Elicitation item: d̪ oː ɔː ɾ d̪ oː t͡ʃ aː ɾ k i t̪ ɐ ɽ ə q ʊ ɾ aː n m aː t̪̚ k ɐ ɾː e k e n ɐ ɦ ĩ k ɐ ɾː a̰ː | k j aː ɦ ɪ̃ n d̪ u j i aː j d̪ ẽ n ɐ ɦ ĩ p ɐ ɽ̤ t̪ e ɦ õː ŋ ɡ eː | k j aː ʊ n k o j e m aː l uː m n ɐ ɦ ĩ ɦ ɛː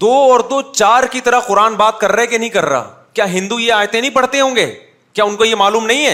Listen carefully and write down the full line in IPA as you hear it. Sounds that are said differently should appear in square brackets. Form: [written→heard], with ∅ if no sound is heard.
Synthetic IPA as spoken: d̪ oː ɔː ɾ d̪ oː t͡ʃ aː ɾ k i t̪ ɐ [ɽ→ɾ] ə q ʊ ɾ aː n [m→b] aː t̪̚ k ɐ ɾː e k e n ɐ ɦ ĩ k ɐ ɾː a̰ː | k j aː ɦ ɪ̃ n d̪ u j [i→e] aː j [d̪→t̪] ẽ n ɐ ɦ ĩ p ɐ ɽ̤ t̪ e ɦ õː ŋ ɡ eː | k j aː ʊ n k o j e m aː l uː m n ɐ ɦ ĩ ɦ ɛː